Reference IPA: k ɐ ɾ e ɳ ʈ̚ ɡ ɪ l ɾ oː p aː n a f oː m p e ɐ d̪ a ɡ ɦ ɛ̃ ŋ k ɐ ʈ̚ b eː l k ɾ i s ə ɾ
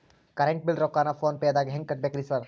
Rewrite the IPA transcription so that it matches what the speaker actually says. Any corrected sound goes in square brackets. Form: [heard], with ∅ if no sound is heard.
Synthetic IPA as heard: k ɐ ɾ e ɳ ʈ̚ [b] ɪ l ɾ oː [k] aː n a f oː [n] p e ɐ d̪ a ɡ ɦ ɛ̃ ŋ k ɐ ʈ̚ b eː [∅] k ɾ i s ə ɾ